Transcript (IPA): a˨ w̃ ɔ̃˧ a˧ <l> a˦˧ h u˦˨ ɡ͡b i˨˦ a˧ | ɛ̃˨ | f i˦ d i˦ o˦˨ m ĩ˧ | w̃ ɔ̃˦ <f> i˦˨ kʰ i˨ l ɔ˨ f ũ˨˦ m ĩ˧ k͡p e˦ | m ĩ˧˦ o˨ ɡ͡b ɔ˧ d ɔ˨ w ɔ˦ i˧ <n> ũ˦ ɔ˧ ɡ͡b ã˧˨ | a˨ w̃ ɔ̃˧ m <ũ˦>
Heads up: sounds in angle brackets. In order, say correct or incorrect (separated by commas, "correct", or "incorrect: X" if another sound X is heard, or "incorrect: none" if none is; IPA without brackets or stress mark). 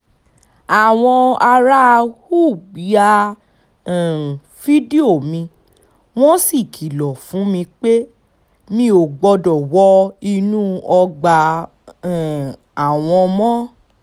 incorrect: ɾ, incorrect: s, correct, incorrect: ɔ̃˦